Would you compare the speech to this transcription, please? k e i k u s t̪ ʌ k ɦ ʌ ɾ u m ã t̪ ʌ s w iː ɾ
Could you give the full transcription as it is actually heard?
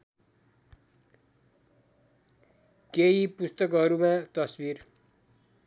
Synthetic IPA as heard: k e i p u s t̪ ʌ k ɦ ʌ ɾ u m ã t̪ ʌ s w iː ɾ